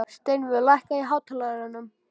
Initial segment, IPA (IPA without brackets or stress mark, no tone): s